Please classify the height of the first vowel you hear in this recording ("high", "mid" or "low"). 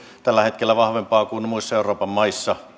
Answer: low